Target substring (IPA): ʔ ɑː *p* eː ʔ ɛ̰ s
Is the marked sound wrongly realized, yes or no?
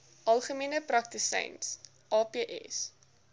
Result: no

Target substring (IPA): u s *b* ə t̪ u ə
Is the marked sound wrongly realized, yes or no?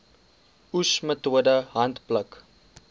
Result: yes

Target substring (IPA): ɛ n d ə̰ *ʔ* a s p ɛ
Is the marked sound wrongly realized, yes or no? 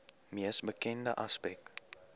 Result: no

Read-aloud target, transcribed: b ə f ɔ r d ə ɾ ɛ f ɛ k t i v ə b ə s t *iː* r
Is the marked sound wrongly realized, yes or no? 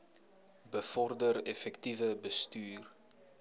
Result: yes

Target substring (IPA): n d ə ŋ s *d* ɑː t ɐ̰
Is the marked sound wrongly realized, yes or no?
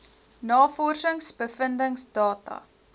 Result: no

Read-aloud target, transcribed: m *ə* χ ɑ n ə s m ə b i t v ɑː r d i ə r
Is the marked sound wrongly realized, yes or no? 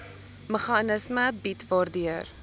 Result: no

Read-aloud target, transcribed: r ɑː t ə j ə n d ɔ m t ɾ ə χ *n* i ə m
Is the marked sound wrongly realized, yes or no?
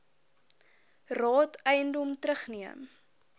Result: no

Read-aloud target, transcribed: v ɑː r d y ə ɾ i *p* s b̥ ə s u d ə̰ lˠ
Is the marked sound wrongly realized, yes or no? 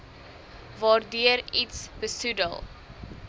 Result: yes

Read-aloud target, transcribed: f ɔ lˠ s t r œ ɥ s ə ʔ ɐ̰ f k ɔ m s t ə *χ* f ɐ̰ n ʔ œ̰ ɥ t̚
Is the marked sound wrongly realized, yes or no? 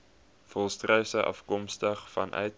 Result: no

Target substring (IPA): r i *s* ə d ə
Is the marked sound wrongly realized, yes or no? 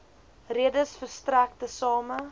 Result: yes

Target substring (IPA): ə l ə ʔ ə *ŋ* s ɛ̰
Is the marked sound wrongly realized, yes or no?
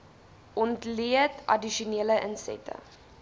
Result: yes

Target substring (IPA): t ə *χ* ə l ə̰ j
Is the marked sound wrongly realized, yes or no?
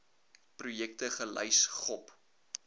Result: no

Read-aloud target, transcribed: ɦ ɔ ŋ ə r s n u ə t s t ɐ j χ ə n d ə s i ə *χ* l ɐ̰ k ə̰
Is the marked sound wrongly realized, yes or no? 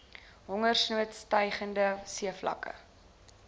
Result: yes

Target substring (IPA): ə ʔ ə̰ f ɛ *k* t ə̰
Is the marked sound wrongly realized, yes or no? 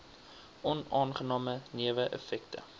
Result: no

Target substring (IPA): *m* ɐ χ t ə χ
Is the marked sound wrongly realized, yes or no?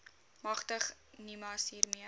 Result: no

